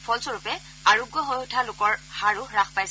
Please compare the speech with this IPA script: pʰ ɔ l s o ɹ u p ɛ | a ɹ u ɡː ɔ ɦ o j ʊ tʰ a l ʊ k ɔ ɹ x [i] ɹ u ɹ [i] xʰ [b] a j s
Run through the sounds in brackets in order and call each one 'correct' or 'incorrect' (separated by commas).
incorrect, incorrect, incorrect